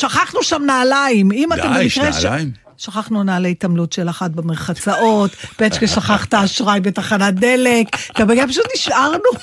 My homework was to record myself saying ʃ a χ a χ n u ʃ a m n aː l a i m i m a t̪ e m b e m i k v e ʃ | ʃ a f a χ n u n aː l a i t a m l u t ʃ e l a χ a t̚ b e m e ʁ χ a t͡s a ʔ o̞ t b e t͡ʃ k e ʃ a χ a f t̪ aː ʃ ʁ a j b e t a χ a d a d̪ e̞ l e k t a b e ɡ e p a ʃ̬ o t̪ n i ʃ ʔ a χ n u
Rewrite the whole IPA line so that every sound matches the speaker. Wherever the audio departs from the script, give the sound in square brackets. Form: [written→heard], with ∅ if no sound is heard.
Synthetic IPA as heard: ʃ a χ a χ n u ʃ a m n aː l a i m i m a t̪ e m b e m i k [v→ʁ] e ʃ | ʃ a [f→χ] a χ n u n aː l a i t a m l u t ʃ e l a χ a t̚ b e m e ʁ χ a t͡s a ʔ o̞ t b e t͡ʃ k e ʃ a χ a [f→χ] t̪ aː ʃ ʁ a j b e t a χ a [d→n] a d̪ e̞ l e k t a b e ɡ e p a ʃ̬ [o→u] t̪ n i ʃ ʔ a [χ→ʁ] n u